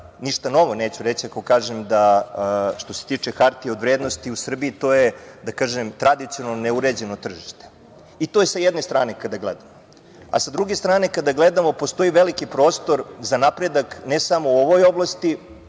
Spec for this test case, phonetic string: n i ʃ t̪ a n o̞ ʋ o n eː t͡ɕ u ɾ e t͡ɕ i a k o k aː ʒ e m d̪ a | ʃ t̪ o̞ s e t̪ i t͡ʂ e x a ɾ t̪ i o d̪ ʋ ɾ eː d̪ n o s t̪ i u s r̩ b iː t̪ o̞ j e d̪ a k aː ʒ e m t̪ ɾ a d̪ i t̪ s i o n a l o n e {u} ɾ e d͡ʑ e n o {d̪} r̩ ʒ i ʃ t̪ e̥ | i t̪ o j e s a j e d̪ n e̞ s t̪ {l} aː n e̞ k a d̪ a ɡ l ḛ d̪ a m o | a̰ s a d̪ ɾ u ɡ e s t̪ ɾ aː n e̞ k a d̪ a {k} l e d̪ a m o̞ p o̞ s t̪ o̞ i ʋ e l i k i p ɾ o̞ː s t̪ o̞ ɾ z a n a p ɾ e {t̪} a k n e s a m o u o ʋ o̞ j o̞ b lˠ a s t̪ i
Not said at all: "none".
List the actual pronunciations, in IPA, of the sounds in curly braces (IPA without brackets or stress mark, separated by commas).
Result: u, t̪, ɾ, ɡ, d̪